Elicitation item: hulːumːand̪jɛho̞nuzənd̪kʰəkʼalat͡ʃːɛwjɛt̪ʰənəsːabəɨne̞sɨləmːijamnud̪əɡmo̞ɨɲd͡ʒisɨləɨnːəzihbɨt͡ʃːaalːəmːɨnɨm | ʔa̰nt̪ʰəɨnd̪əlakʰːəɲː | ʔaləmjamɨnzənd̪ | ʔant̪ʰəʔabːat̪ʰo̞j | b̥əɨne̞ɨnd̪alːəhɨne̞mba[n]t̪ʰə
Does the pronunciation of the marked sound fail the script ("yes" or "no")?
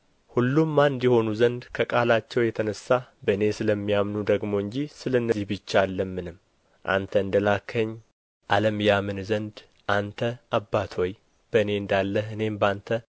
no